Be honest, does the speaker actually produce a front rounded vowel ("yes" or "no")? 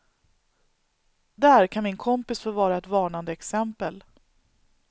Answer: no